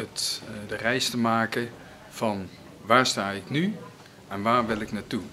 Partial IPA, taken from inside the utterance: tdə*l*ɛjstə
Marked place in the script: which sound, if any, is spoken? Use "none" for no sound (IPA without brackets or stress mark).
r